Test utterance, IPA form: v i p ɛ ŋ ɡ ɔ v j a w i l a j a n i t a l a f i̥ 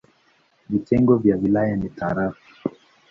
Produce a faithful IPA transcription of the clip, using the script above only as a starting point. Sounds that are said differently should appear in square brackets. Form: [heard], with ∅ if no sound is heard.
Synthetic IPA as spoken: v i [t] ɛ ŋ ɡ ɔ v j a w i l a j a n i t a [ɾ] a f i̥